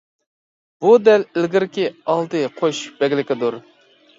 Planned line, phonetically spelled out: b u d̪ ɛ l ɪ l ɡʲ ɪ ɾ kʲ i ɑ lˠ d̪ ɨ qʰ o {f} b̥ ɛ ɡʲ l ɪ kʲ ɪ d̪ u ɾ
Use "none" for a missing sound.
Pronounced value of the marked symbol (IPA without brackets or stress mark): ʃ